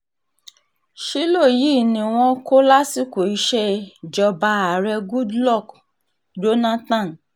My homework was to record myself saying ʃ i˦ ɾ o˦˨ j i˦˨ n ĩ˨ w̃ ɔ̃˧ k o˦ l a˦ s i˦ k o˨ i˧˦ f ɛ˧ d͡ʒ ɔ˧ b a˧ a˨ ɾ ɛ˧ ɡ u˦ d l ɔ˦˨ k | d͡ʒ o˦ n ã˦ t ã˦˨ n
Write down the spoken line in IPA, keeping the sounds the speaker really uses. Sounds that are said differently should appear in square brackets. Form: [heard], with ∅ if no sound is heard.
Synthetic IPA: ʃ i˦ [l] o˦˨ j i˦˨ n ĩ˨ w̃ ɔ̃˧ k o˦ l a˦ s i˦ k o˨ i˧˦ [ʃ] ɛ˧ d͡ʒ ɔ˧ b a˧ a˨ ɾ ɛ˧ ɡ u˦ d l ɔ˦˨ k | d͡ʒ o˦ n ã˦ t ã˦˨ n

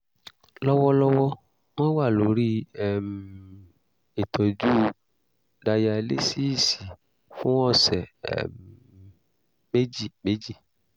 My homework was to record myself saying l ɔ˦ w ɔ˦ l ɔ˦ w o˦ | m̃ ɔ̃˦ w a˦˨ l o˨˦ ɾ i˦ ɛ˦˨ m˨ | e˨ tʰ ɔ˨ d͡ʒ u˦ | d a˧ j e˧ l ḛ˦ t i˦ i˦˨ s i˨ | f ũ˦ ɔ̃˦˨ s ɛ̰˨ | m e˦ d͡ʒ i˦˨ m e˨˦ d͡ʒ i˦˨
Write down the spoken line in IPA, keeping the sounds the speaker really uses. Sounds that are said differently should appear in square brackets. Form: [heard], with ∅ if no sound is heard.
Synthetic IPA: l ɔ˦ w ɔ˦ l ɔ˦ w [ɔ˦] | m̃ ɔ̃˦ w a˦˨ l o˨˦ ɾ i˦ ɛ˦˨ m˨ | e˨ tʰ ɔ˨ d͡ʒ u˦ | d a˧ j [a˧] l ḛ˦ [s] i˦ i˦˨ s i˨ | f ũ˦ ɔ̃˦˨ s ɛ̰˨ | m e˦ d͡ʒ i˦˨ m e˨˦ d͡ʒ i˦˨

